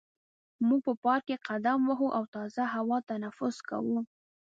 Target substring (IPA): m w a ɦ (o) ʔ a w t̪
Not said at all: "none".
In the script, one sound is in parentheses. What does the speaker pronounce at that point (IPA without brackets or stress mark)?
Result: u